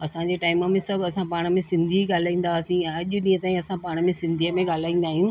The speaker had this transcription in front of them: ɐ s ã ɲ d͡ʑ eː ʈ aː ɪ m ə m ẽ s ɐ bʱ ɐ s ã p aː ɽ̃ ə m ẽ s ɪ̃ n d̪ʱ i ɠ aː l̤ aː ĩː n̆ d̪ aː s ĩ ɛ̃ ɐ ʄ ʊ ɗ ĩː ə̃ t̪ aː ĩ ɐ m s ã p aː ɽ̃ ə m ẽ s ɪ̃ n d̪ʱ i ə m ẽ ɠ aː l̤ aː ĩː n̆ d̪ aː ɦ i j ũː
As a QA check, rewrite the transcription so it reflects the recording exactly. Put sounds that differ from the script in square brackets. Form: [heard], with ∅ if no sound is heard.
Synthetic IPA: ɐ s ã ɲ d͡ʑ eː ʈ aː ɪ m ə m ẽ s ɐ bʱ ɐ s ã p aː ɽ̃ ə m ẽ s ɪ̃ n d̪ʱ i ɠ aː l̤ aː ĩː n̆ d̪ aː s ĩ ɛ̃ ɐ ʄ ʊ ɗ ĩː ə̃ t̪ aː ĩ ɐ [∅] s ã p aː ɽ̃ ə m ẽ s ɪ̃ n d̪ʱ i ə m ẽ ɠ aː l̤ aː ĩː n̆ d̪ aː ɦ i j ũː